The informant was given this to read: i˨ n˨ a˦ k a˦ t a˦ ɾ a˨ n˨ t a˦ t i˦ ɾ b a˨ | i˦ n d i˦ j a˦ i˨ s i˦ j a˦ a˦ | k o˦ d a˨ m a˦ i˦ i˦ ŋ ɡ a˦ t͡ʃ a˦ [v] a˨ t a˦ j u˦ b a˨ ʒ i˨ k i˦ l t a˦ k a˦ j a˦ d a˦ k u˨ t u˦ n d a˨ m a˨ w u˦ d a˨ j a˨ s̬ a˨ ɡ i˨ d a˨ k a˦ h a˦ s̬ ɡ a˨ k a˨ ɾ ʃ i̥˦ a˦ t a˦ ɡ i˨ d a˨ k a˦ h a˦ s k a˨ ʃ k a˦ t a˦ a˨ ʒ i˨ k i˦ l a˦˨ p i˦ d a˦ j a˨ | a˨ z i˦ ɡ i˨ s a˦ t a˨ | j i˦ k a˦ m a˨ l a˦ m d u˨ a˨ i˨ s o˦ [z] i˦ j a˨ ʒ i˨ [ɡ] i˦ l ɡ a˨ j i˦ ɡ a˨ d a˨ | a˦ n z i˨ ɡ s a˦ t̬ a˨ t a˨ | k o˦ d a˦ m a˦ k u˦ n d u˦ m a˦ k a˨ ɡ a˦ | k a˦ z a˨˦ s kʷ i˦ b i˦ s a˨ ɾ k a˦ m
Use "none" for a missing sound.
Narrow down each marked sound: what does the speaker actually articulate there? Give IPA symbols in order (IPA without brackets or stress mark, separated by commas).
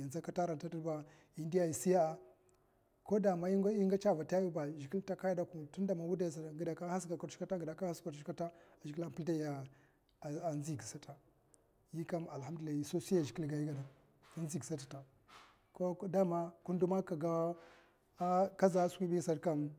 v, s, k